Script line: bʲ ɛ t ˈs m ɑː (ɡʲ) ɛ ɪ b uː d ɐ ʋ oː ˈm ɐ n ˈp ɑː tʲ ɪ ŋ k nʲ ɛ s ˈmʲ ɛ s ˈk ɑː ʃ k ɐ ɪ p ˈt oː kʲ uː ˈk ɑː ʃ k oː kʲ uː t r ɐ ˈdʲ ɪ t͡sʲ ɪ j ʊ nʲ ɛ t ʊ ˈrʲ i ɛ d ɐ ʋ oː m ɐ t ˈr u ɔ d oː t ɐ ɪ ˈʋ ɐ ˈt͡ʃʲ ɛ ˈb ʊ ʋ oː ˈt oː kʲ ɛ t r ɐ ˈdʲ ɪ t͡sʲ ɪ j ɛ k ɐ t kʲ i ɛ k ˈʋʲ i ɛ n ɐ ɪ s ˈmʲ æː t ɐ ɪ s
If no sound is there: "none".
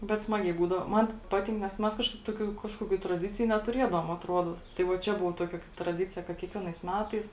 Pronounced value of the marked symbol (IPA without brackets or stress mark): ɡʲ